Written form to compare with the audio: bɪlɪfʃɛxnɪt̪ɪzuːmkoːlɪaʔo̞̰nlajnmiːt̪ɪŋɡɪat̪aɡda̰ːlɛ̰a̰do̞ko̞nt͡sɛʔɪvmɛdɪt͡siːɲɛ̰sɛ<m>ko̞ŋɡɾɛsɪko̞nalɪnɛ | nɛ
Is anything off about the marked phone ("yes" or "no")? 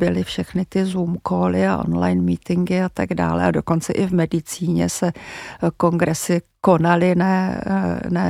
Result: yes